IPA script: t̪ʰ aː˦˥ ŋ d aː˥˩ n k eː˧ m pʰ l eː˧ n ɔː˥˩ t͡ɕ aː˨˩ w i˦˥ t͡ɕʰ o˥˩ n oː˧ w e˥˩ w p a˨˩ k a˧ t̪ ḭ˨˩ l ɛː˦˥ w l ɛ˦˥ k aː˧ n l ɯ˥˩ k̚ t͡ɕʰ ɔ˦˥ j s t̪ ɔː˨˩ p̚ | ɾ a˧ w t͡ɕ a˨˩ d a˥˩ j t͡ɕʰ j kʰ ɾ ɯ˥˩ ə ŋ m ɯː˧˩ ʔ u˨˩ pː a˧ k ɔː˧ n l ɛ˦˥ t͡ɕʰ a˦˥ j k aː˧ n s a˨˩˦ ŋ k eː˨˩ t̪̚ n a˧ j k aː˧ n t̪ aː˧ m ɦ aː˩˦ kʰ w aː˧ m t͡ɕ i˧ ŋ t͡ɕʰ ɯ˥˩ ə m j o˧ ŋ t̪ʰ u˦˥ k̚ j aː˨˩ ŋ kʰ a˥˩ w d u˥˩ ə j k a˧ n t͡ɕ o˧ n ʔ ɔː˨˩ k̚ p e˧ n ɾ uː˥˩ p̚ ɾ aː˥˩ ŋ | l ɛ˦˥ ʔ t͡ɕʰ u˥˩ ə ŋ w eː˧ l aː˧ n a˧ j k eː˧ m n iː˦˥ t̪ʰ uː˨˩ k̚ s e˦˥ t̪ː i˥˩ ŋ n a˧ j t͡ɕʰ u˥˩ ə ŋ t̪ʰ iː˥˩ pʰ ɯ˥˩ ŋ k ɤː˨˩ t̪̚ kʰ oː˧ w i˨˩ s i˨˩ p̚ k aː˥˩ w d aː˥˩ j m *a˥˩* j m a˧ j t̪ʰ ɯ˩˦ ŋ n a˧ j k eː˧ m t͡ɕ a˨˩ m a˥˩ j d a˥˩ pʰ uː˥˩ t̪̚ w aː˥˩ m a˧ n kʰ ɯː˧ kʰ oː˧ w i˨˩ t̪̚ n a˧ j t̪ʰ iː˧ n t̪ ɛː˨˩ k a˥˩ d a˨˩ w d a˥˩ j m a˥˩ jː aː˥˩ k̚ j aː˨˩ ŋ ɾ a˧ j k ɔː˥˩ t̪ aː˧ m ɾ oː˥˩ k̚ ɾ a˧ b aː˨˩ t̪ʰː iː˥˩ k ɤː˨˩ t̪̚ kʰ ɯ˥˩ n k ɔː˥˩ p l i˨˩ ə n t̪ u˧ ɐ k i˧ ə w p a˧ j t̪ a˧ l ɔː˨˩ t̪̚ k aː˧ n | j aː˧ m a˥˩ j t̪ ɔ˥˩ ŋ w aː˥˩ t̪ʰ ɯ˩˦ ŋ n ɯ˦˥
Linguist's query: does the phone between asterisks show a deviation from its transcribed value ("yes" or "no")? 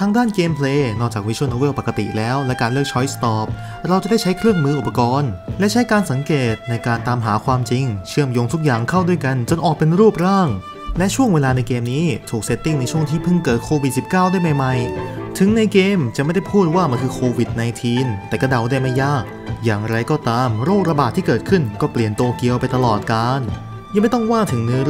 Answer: yes